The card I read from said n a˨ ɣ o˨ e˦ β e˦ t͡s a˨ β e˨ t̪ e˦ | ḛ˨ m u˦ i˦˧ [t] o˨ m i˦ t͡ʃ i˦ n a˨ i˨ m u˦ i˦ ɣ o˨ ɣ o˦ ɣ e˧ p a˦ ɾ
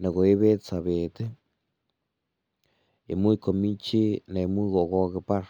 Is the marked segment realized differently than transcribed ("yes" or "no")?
yes